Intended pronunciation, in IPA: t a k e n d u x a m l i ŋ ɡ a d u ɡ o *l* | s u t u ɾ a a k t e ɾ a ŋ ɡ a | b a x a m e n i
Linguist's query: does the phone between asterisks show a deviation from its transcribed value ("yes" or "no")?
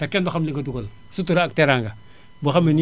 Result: no